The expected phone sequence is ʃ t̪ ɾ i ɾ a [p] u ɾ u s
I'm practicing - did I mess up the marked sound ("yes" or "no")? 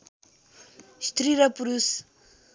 no